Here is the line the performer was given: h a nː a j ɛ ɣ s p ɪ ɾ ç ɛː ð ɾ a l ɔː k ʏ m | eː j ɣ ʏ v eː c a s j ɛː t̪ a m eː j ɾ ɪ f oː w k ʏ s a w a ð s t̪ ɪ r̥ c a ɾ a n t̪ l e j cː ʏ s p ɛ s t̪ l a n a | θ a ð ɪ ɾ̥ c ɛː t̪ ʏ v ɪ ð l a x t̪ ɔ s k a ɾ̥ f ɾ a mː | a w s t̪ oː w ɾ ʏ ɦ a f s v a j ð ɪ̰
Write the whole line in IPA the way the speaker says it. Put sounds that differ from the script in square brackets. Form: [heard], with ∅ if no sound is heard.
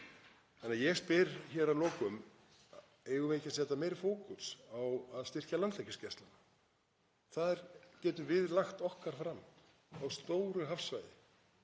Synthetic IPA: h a nː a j ɛ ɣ s p ɪ ɾ ç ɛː [∅] ɾ a l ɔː k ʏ m | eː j ɣ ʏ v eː c a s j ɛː t̪ a m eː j ɾ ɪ f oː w k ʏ s a w a ð s t̪ ɪ r̥ c a [l] a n t̪ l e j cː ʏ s [c] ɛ s t̪ l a n a | θ a ð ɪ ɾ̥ c ɛː t̪ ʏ v ɪ ð l a x t̪ ɔ [h] k a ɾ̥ f ɾ a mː | a w s t̪ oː w ɾ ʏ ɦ a f s v a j ð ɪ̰